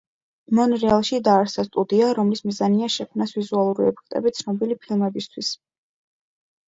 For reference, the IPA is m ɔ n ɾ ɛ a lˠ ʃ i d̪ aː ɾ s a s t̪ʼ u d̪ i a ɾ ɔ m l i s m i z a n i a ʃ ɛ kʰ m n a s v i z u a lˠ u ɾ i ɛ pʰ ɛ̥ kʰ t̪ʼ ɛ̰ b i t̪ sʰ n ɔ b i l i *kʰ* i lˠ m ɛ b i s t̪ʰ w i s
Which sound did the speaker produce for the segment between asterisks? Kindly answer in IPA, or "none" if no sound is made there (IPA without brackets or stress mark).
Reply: pʰ